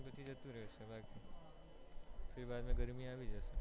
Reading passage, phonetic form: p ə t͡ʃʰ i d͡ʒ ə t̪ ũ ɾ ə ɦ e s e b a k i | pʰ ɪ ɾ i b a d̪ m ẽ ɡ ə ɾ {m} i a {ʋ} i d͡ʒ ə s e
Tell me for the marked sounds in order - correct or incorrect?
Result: correct, correct

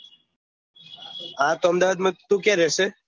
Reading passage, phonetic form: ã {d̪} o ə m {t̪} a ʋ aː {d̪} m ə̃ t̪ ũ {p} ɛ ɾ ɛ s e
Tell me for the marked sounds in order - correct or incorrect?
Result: incorrect: t̪, incorrect: d̪, correct, incorrect: k

